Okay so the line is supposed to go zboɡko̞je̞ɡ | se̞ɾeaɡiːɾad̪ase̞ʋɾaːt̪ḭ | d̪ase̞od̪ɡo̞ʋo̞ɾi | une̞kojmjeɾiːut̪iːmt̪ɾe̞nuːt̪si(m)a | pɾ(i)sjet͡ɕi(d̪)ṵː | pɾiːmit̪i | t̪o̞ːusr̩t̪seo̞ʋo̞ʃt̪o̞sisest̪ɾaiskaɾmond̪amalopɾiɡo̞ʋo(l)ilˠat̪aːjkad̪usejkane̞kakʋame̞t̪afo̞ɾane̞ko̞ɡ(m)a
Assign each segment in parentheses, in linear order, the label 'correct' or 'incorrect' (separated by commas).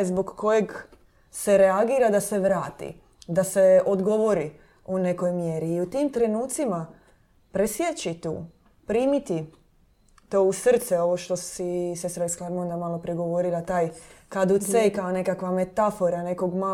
correct, incorrect, incorrect, incorrect, correct